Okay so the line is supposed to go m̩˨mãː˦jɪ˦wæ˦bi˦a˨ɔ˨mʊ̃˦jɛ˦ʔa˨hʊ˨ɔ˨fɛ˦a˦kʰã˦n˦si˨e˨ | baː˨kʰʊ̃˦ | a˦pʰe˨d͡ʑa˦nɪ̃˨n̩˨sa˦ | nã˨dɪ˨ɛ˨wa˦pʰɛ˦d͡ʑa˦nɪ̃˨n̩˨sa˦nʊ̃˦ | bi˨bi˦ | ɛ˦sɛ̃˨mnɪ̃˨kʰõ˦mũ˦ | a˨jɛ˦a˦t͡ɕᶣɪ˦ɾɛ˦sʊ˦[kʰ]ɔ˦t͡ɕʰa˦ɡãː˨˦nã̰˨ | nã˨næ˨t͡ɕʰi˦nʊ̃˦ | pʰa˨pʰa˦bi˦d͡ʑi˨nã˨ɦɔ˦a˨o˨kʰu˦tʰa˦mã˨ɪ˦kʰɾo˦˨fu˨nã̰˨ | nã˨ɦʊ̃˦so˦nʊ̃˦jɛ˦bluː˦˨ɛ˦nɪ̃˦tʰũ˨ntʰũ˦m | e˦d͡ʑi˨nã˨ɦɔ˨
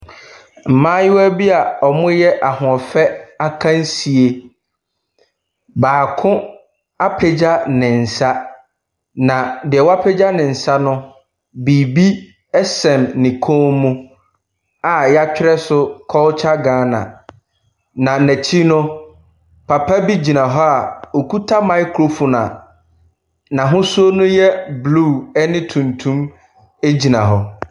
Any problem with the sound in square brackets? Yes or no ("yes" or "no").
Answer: no